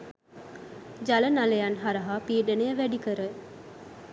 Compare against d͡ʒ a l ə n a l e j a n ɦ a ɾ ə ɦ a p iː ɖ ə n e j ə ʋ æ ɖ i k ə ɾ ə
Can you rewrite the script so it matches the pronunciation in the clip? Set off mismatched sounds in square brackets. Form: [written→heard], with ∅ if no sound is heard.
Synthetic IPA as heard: d͡ʒ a l ə n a l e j a n ɦ a ɾ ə ɦ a p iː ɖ ə n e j ə ʋ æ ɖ i k ə ɾ ə

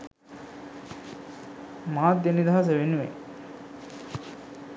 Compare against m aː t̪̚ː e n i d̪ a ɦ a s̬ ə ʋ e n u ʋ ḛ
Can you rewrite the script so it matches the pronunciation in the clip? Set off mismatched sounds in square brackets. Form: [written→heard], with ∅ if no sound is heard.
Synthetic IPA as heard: m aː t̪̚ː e n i d̪ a ɦ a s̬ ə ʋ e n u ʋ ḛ

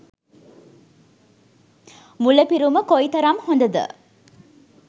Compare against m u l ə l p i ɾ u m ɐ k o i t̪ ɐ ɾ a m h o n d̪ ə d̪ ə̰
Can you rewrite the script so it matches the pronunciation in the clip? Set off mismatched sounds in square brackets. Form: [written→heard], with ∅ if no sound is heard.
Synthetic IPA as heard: m u l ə [l→∅] p i ɾ u m [ɐ→ə] k o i t̪ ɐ ɾ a m h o n d̪ ə d̪ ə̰

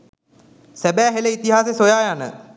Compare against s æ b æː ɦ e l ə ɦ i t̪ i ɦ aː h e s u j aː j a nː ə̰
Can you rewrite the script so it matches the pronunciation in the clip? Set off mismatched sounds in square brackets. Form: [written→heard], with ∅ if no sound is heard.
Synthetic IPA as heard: s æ b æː ɦ e l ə [ɦ→∅] i t̪ i ɦ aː [h→s] e s [u→o] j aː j a [nː→n] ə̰

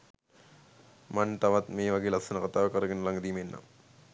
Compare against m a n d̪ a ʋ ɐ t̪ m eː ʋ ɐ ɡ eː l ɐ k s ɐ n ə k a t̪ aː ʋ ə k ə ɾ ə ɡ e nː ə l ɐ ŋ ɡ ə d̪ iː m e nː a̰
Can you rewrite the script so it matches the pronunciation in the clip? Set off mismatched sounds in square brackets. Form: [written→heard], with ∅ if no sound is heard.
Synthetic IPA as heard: m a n [d̪→t̪] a ʋ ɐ t̪ m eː ʋ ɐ ɡ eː l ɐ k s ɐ n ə k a t̪ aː ʋ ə k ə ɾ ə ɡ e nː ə l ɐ ŋ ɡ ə d̪ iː m e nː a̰

